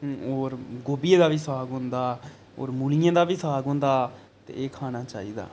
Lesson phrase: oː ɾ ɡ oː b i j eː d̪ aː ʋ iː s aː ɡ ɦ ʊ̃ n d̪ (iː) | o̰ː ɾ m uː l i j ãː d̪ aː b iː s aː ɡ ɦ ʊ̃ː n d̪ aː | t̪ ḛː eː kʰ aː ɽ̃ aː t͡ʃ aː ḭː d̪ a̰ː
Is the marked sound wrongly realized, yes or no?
yes